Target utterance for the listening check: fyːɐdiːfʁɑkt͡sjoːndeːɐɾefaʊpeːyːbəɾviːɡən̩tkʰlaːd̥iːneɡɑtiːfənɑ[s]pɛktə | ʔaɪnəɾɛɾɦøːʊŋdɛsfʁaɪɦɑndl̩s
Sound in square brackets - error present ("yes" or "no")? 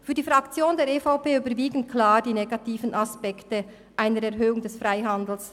no